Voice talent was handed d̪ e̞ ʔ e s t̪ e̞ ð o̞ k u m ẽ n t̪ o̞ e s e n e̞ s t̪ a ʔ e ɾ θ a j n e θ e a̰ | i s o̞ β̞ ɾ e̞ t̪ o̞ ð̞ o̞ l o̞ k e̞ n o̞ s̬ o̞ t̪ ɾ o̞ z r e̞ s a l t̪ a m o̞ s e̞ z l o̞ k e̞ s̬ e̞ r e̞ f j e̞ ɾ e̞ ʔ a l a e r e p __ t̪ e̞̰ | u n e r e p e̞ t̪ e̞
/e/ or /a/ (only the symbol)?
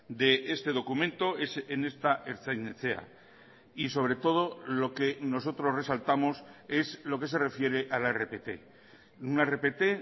e